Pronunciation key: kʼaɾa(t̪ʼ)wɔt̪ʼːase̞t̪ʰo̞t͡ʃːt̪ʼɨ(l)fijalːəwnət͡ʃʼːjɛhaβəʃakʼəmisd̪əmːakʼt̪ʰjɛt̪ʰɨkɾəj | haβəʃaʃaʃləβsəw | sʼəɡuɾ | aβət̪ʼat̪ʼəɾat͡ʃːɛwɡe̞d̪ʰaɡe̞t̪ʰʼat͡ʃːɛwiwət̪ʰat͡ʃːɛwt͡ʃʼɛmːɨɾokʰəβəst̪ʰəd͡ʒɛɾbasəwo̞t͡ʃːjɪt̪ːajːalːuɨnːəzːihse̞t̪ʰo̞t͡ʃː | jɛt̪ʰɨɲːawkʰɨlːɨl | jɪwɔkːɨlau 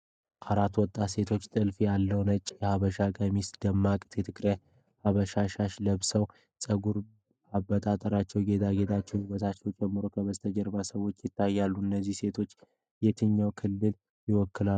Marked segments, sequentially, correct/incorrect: incorrect: t̪, correct

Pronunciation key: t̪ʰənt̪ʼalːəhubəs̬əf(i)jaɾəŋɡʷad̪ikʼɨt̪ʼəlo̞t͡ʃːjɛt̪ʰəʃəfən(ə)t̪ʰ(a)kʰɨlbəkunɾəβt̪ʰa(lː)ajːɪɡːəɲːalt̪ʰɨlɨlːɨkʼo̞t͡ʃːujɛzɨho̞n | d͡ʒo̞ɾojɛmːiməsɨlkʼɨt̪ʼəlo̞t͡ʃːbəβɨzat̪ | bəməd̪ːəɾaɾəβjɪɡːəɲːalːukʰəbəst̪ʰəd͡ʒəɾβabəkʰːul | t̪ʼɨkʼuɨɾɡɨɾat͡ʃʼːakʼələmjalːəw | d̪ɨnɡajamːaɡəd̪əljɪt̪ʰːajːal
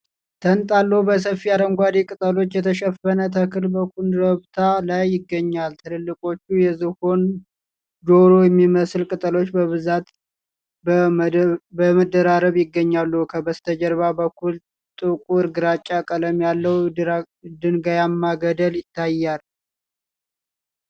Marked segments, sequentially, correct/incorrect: correct, correct, incorrect: ə, incorrect: l

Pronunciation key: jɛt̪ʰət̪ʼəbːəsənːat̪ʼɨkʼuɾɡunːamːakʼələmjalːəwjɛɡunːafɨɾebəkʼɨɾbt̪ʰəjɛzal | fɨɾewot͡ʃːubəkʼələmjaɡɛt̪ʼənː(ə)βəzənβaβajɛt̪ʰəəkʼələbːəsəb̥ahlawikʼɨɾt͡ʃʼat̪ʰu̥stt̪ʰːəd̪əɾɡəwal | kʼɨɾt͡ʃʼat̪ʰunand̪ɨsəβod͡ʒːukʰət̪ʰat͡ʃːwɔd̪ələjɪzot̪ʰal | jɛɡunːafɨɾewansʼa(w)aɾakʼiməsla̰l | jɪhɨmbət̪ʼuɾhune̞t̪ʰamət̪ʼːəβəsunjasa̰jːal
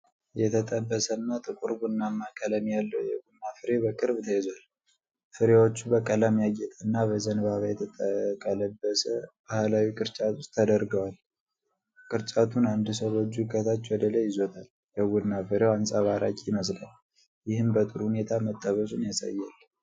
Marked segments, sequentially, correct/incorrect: incorrect: a, incorrect: β

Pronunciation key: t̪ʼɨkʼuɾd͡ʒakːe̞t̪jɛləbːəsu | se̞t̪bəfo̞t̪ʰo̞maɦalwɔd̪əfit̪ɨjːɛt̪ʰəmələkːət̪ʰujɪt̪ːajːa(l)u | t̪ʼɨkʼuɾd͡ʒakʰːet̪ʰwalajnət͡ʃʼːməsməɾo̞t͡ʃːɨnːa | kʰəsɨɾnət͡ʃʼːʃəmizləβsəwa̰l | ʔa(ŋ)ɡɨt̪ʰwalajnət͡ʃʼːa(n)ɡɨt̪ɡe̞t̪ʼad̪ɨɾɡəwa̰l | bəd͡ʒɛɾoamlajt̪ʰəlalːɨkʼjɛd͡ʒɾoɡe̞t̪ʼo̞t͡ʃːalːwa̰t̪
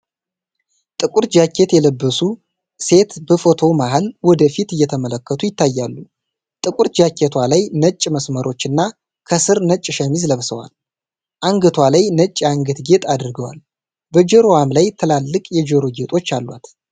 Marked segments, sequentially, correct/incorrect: incorrect: lː, correct, incorrect: ŋ

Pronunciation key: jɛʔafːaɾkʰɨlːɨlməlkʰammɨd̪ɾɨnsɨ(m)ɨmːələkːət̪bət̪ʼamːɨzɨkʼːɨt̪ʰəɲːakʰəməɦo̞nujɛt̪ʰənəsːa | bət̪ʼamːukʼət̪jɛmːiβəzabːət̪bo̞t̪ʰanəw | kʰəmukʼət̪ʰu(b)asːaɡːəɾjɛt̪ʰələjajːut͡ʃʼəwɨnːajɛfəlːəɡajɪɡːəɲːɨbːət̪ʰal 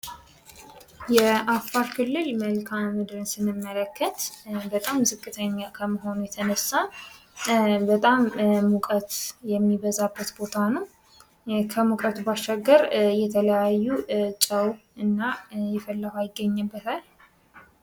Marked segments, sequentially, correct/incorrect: incorrect: n, correct

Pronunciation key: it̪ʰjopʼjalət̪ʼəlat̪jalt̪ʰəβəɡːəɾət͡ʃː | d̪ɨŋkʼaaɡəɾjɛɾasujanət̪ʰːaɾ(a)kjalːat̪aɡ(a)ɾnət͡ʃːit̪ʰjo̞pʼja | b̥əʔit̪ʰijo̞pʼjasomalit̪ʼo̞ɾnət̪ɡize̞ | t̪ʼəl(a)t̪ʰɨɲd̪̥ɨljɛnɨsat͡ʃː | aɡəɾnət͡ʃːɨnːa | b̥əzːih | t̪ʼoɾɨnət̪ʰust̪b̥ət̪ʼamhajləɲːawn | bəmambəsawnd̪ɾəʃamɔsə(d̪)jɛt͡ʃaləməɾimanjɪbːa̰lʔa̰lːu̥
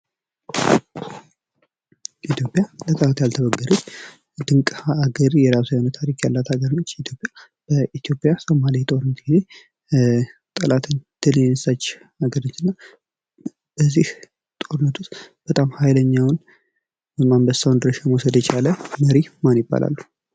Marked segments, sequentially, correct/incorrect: incorrect: i, incorrect: ə, correct, correct

